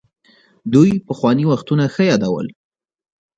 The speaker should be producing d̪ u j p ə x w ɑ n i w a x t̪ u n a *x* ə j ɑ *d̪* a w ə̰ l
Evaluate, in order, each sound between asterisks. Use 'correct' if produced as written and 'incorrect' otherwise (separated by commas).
correct, correct